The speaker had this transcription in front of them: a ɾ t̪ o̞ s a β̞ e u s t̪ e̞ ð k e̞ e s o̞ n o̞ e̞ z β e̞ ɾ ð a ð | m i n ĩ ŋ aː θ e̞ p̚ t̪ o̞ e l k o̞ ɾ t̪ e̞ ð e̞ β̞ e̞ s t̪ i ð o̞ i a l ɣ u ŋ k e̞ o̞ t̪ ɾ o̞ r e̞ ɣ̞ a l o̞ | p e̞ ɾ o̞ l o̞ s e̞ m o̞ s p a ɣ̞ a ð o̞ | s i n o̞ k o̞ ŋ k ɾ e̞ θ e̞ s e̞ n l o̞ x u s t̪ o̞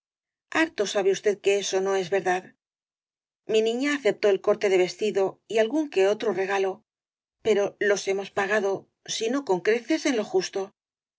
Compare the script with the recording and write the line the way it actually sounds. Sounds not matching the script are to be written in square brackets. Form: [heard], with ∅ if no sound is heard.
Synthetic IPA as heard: a ɾ t̪ o̞ s a β̞ e u s t̪ e̞ ð k e̞ e s o̞ n o̞ e̞ z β e̞ ɾ ð a ð | m i n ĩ [ɲ] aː θ e̞ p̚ t̪ o̞ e l k o̞ ɾ t̪ e̞ ð e̞ β̞ e̞ s t̪ i ð o̞ i a l ɣ u ŋ k e̞ o̞ t̪ ɾ o̞ r e̞ ɣ̞ a l o̞ | p e̞ ɾ o̞ l o̞ s e̞ m o̞ s p a ɣ̞ a ð o̞ | s i n o̞ k o̞ ŋ k ɾ e̞ θ e̞ s e̞ n l o̞ x u s t̪ o̞